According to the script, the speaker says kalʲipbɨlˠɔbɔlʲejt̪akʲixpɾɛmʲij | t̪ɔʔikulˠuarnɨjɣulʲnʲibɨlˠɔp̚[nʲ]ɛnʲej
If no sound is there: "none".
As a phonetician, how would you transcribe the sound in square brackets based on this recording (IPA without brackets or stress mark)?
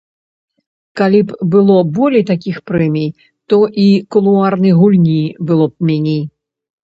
mʲ